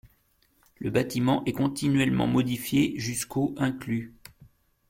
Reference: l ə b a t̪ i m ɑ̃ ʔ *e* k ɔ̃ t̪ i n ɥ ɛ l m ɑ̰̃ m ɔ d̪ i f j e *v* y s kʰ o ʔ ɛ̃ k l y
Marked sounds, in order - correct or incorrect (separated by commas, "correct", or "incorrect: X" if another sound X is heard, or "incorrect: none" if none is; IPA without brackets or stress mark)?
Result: incorrect: ɛ, incorrect: ʒ